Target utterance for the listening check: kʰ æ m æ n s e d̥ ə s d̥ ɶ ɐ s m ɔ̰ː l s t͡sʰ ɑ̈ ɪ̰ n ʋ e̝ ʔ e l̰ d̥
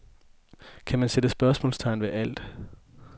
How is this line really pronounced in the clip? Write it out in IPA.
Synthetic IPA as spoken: kʰ æ m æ n s e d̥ ə s b̥ ɶ ɐ s m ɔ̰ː l s t͡sʰ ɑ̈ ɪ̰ n ʋ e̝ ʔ æ l̰ d̥